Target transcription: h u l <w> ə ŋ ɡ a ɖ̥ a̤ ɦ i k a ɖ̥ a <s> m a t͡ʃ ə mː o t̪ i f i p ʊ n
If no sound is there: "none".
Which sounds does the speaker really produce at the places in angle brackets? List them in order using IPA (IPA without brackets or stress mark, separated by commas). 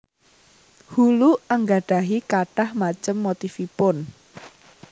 u, h